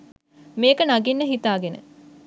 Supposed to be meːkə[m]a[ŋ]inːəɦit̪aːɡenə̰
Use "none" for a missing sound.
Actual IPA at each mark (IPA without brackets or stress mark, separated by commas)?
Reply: n, ɡ